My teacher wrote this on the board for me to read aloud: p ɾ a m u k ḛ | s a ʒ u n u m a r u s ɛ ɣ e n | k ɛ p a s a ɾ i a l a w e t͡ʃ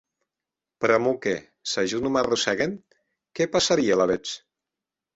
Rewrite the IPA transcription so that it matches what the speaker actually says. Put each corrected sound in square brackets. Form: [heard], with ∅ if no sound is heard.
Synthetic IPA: p ɾ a m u k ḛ | s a ʒ u n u m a r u s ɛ ɣ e n | k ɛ p a s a ɾ i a l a [β] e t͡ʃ